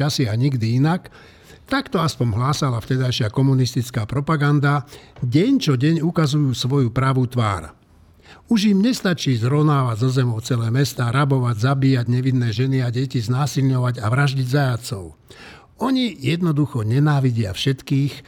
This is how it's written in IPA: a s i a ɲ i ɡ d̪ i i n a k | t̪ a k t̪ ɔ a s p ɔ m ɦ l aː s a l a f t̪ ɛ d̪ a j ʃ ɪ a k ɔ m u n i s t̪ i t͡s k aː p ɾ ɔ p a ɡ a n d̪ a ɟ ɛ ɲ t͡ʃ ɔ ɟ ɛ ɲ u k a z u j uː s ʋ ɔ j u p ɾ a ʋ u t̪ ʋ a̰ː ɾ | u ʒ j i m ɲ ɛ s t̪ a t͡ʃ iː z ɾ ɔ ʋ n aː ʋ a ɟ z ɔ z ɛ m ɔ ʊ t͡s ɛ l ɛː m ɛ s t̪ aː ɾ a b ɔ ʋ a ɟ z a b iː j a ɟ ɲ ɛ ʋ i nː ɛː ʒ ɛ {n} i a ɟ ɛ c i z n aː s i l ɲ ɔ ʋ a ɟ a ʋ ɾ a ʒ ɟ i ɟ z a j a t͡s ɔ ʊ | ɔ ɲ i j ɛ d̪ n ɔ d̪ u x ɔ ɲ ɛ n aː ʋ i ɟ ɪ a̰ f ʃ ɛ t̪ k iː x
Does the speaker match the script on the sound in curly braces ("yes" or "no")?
yes